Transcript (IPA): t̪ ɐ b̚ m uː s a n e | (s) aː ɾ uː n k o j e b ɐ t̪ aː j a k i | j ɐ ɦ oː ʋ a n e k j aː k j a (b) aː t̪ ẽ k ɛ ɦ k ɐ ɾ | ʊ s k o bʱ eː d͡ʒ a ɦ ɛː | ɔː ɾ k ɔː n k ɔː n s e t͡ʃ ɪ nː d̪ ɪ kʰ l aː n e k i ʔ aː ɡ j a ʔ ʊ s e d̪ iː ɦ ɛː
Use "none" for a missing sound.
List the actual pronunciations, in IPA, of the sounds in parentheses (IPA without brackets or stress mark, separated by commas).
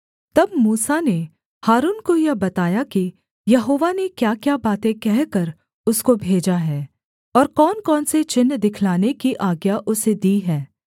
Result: h, b